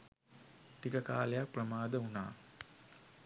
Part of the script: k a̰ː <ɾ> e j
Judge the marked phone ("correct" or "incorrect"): incorrect